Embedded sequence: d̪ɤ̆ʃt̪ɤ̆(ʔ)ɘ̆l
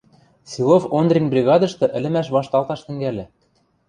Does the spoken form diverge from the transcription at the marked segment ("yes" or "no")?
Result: no